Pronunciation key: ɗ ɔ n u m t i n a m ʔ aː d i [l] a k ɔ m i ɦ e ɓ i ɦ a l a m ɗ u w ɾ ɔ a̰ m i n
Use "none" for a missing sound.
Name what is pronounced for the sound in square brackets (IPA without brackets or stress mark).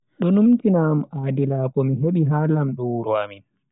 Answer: l